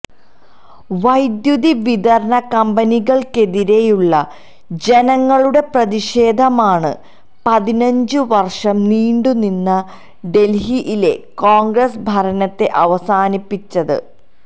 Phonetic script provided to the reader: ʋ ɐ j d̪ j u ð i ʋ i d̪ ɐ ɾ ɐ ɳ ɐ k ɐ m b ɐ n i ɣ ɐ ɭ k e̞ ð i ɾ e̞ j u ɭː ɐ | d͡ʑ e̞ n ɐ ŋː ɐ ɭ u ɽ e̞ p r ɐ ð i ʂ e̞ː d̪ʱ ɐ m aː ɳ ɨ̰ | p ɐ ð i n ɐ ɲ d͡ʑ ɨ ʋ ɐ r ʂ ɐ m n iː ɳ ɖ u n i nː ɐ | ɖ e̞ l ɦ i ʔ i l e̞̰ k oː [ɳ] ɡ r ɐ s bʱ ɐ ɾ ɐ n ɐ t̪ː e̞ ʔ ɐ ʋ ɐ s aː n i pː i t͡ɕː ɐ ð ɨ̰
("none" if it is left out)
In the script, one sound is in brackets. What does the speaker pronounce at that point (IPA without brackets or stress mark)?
ŋ